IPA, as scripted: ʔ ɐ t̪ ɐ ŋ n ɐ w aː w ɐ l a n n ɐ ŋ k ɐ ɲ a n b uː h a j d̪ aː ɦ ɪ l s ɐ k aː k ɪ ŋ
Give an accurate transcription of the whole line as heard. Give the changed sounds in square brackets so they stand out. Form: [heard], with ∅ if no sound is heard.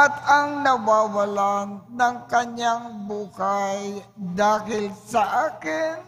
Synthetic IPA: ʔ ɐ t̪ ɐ ŋ n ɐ w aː w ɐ l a n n ɐ ŋ k ɐ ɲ a [ŋ] b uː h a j d̪ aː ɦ ɪ l s ɐ [ʔ] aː k ɪ [n]

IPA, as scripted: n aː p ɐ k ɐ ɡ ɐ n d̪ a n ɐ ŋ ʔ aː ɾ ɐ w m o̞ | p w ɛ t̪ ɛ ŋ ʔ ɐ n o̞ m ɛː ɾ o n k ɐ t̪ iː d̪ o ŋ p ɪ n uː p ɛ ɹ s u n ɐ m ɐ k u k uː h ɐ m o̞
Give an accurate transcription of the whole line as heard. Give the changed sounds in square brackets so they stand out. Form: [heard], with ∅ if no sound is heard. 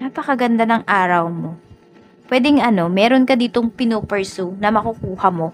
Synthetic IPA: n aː p ɐ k ɐ ɡ ɐ n d̪ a n ɐ ŋ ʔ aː ɾ ɐ w m o̞ | p w ɛ [d̪] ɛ ŋ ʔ ɐ n o̞ m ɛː ɾ o n k ɐ [d̪] iː [t̪] o ŋ p ɪ n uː p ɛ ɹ s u n ɐ m ɐ k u k uː h ɐ m o̞

